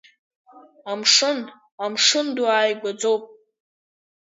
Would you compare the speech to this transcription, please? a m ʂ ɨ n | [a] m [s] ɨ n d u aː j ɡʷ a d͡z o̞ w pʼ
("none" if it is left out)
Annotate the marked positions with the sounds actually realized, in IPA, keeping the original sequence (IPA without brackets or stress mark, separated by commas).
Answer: a, ʂ